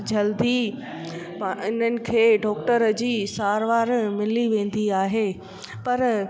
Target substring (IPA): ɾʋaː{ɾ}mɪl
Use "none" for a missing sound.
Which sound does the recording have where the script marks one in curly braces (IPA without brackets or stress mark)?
ɾ